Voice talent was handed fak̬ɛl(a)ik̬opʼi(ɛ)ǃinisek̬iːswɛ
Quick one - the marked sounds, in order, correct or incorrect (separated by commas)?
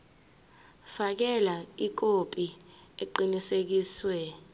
correct, incorrect